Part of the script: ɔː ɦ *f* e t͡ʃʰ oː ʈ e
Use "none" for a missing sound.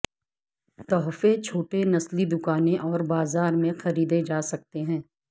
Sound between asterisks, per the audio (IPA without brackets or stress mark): f